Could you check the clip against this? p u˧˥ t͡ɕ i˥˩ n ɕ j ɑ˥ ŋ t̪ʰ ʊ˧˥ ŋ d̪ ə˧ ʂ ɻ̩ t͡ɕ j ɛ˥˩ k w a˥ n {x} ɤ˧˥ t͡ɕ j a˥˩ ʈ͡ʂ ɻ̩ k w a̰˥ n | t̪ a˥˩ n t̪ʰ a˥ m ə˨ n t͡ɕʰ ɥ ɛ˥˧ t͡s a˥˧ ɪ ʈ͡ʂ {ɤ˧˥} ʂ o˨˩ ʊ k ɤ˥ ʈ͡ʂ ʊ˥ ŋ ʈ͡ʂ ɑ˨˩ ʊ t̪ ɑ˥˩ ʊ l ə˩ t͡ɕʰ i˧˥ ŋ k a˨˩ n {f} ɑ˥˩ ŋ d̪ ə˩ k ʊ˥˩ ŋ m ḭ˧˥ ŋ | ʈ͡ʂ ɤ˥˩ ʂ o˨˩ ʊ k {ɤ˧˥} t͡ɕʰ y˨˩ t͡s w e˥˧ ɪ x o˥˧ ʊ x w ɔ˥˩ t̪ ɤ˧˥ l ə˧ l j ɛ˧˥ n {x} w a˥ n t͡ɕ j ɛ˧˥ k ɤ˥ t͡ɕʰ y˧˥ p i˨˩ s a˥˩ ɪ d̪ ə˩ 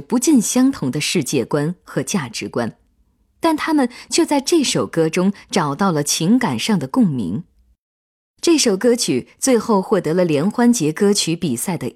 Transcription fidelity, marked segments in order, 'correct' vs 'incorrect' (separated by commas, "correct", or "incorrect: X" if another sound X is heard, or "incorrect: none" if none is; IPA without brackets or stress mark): correct, incorrect: ɤ˥˩, incorrect: ʂ, incorrect: ɤ˥, correct